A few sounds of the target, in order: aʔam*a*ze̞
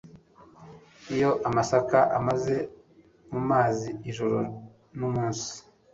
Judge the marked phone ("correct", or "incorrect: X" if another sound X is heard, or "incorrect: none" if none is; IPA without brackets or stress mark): correct